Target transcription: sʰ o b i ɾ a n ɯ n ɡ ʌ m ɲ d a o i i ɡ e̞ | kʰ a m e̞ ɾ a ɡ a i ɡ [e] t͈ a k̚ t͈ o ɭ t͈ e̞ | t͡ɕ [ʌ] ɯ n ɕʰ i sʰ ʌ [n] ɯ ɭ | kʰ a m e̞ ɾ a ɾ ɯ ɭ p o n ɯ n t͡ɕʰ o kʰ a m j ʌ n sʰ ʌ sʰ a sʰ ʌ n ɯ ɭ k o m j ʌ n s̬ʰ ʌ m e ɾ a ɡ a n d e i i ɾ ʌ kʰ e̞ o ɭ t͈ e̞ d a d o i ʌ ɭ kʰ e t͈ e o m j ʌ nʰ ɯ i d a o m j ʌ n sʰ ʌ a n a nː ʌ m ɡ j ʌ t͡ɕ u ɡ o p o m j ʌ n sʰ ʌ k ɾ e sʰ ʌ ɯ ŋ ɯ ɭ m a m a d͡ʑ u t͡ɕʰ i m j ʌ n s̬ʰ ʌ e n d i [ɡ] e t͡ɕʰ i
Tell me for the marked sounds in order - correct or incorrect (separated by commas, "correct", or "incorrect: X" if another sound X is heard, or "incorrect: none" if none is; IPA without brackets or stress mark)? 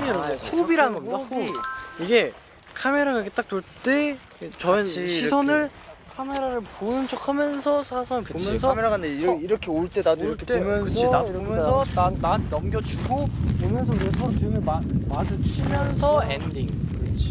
correct, correct, correct, incorrect: ŋ